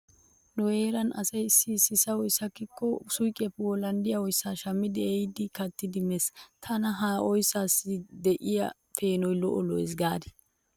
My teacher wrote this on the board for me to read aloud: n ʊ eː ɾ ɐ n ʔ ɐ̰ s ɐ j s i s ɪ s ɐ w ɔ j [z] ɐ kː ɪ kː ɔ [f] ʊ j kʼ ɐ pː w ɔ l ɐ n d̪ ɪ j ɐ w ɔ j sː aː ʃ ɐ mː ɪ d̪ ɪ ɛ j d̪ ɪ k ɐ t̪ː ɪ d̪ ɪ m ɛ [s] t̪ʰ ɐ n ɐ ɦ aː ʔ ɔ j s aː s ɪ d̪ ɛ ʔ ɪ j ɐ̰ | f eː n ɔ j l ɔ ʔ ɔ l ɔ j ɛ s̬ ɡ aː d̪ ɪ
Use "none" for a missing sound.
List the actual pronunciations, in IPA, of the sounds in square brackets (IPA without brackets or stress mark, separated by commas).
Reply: s, s, s